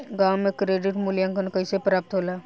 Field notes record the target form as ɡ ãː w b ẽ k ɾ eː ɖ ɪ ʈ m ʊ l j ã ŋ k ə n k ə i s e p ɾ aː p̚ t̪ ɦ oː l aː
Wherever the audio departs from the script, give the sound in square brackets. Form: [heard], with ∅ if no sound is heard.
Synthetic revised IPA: ɡ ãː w [m] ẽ k ɾ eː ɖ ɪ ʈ m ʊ l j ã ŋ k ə n k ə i s e p ɾ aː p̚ t̪ ɦ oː l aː